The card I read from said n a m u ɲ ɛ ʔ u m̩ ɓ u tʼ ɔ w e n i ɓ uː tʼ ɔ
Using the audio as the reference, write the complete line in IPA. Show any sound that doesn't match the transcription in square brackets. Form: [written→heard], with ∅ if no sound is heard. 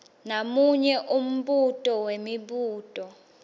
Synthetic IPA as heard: n a m u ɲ ɛ ʔ u m̩ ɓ u tʼ ɔ w e [n→m] i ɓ uː tʼ ɔ